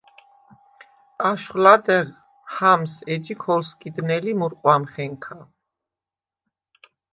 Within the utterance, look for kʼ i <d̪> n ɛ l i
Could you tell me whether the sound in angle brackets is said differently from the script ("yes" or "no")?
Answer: no